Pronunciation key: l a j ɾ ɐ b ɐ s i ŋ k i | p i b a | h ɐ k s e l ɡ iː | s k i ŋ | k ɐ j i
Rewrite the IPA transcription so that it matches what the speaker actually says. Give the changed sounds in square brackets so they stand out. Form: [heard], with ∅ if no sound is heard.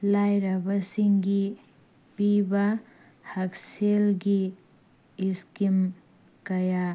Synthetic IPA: l a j ɾ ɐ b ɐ s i ŋ [ɡ] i | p i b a | h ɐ k s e l ɡ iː | s k i [m] | k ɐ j [a]